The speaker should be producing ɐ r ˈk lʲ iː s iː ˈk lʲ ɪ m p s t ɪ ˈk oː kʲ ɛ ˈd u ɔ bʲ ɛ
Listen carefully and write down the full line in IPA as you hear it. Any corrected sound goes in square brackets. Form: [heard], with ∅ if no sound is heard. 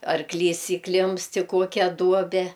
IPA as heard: ɐ r ˈk lʲ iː s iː ˈk lʲ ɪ m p s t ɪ ˈk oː kʲ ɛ ˈd u ɔ bʲ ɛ